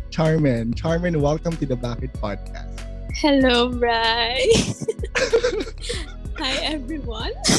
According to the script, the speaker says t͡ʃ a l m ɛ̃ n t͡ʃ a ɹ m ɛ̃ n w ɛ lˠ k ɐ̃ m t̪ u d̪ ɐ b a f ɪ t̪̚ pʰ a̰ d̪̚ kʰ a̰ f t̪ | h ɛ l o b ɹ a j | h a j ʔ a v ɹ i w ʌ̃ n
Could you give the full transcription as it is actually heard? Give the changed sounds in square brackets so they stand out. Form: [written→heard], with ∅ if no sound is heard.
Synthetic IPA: t͡ʃ a [l→ɹ] m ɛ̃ n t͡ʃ a ɹ m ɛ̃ n w ɛ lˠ k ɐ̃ m t̪ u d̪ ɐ b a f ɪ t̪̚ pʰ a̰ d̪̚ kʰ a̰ [f→s] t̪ | h ɛ l o b ɹ a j | h a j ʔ [a→ɛ] v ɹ i w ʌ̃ n